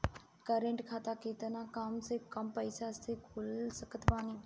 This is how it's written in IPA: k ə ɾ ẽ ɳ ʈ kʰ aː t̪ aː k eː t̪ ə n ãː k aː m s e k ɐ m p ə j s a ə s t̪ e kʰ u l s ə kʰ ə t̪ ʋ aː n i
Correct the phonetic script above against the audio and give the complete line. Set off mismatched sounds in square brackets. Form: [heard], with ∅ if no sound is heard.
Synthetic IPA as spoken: k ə ɾ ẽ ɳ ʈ kʰ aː t̪ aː k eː t̪ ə n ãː k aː m s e k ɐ m p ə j s a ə s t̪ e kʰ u l s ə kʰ ə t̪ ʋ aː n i